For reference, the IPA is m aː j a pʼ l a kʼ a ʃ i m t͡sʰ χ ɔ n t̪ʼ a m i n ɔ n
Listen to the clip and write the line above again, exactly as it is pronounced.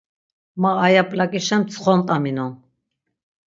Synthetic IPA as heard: m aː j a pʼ l a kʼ i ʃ ɛ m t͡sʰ χ ɔ n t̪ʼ a m i n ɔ n